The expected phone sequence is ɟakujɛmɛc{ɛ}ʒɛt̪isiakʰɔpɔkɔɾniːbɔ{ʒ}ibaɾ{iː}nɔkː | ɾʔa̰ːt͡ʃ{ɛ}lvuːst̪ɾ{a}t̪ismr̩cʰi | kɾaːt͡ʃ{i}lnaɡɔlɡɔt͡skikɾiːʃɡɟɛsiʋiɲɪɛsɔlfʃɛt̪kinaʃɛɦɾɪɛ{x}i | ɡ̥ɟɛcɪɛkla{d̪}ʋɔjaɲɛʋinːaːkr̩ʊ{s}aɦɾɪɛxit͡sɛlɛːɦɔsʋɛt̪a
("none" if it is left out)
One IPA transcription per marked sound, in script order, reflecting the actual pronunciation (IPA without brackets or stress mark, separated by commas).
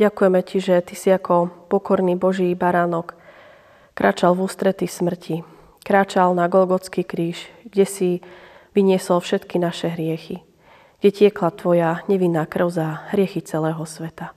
i, ʒ, aː, a, ɛ, a, x, t̪, z